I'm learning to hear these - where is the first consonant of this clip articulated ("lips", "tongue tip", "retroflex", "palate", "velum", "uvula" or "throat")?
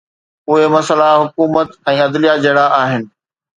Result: throat